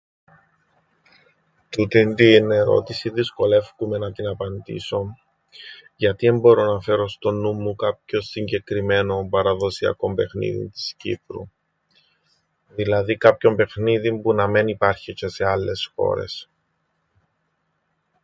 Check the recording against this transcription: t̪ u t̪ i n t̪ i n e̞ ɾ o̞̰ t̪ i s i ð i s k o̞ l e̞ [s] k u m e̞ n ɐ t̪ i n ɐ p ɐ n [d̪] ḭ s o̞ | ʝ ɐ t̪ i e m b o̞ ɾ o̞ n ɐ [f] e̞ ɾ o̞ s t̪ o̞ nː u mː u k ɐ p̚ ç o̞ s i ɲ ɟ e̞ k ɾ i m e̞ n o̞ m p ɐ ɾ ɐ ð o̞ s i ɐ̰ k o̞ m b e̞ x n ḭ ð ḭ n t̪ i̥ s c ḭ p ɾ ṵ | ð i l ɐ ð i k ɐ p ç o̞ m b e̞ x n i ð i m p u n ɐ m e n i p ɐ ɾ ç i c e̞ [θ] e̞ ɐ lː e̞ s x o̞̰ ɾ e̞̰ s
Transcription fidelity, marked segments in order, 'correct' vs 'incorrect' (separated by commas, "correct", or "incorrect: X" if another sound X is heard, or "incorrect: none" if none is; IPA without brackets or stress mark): incorrect: f, correct, correct, incorrect: s